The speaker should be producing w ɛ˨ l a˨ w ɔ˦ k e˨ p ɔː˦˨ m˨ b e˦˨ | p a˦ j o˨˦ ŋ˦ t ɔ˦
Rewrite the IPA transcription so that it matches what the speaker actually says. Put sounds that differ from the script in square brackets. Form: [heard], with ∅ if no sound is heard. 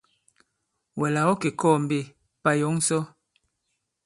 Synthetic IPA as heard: w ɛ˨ l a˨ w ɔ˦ k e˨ [k] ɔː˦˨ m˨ b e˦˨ | p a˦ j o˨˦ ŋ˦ [s] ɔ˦